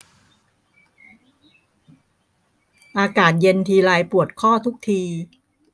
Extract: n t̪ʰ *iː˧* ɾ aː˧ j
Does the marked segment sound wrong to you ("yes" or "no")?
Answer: no